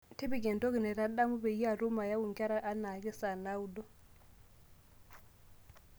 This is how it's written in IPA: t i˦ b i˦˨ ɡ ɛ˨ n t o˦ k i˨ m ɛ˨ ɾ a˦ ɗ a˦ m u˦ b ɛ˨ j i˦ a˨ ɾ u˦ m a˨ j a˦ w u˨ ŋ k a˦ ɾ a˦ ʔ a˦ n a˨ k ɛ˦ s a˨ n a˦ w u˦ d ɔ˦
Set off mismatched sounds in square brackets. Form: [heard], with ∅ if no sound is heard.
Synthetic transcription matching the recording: t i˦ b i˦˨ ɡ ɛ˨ n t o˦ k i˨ [n] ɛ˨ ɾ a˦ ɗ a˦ m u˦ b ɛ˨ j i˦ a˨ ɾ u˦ m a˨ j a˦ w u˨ ŋ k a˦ ɾ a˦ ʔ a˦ n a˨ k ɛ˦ s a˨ n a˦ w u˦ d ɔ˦